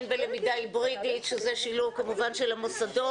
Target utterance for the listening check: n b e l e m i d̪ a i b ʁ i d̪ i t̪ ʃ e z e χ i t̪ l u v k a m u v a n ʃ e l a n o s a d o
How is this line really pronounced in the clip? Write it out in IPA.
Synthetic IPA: n b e l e m i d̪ a i b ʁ i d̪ i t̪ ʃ e z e ʃ i l u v k a m u v a n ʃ e l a m o s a d o